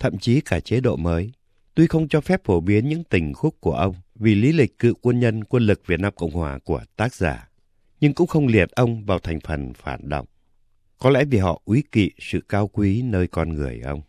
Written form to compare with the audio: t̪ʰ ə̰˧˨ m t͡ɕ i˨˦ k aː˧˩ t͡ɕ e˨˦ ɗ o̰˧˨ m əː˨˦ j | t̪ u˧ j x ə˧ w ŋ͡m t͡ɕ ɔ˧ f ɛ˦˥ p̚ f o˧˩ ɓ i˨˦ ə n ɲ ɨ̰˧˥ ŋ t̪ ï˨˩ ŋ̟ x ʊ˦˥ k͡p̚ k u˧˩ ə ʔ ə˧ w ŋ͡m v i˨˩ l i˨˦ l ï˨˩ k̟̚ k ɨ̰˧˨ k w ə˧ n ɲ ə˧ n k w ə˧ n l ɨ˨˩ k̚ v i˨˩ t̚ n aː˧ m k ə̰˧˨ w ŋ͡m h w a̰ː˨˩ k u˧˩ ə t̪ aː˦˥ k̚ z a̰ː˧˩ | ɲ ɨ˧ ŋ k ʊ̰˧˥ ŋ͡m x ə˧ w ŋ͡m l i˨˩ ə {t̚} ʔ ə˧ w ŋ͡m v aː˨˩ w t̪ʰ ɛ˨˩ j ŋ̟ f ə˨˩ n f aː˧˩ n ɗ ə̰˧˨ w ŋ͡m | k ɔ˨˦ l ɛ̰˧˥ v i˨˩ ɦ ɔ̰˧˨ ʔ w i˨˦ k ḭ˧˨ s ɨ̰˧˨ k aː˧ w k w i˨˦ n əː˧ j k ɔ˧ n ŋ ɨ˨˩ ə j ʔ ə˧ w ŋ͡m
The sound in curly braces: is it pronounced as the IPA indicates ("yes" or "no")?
yes